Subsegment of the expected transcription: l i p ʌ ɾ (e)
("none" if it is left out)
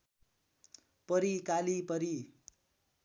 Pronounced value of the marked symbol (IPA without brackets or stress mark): i